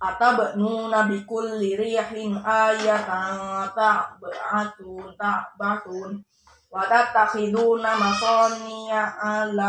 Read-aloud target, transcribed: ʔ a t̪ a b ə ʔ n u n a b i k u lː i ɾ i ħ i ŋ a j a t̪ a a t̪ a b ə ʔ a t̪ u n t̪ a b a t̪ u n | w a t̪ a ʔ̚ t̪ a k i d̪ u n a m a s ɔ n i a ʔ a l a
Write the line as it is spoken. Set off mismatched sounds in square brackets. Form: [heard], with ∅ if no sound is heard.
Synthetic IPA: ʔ a t̪ a b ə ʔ n u n a b i k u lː i ɾ i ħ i [n] a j a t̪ a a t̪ a b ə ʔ a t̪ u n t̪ a b a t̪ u n | w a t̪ a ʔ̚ t̪ a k i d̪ u n a m a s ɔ n i a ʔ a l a